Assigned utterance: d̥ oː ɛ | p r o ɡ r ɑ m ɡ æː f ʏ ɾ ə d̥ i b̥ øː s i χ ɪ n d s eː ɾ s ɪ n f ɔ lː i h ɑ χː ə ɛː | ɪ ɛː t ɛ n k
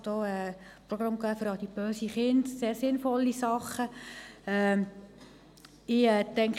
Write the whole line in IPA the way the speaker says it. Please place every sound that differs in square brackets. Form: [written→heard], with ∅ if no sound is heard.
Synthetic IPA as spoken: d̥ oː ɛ | p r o ɡ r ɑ m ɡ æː f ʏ ɾ [ə→ɑ] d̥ i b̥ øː s i χ ɪ n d s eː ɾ s ɪ n f ɔ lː i [h→s] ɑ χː ə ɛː | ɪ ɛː t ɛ [n→ŋ] k